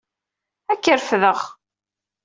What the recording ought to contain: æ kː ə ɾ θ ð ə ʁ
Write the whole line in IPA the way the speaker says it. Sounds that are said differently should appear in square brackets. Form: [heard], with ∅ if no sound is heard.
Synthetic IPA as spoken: æ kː ə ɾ [f] ð ə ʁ